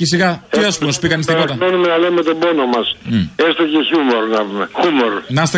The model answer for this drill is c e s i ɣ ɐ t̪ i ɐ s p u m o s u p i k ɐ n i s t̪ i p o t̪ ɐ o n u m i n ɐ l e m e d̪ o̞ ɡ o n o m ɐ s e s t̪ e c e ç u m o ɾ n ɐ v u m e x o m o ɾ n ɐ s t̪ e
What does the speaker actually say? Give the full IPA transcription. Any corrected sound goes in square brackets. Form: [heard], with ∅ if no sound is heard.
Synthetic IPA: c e s i ɣ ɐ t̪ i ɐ s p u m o s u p i k ɐ n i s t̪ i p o t̪ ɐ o n u m [e] n ɐ l e m e [t̪] o̞ [b] o n o m ɐ s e s t̪ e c e ç u m o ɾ n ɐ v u m e x [u] m o ɾ n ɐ s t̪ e